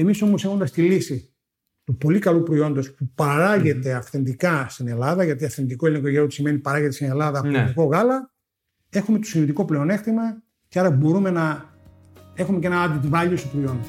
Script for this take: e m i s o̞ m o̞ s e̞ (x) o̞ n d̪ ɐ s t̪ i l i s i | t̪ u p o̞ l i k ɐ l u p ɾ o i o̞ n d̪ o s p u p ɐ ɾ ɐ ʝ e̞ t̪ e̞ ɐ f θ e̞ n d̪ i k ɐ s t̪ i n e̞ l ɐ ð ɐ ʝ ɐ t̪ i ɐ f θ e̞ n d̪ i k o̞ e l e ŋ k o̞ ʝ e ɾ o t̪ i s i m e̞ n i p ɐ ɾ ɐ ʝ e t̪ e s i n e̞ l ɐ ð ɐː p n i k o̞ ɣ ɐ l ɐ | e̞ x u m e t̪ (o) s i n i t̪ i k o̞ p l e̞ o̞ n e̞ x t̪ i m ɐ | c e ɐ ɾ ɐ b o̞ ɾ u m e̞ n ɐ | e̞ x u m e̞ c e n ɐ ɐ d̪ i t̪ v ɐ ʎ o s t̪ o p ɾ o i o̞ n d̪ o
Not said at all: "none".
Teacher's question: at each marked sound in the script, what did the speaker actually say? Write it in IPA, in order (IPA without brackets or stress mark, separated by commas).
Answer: x, o